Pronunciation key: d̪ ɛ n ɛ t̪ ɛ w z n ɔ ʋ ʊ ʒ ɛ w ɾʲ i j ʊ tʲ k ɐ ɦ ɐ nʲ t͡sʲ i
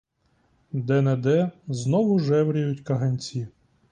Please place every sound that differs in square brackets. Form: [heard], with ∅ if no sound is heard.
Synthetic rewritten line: d̪ ɛ n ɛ [d̪] ɛ [∅] z n ɔ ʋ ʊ ʒ ɛ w ɾʲ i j ʊ tʲ k ɐ ɦ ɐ nʲ t͡sʲ i